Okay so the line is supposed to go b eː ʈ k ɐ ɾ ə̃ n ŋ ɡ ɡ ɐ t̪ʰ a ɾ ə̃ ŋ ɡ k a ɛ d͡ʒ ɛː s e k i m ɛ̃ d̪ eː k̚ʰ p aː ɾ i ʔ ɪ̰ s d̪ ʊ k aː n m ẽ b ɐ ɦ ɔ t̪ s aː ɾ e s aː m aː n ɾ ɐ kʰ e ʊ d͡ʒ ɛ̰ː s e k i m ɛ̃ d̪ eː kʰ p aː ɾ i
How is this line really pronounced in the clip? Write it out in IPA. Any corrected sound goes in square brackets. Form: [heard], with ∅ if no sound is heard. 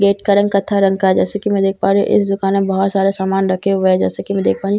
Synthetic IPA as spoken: [ɡ] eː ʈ k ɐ ɾ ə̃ [∅] ŋ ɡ [k] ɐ t̪ʰ a ɾ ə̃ ŋ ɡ k a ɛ d͡ʒ ɛː s e k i m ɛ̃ d̪ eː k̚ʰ p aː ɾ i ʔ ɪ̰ s d̪ ʊ k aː n m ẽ b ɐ ɦ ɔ t̪ s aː ɾ e s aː m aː n ɾ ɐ kʰ e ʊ d͡ʒ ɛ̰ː s e k i m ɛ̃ d̪ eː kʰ p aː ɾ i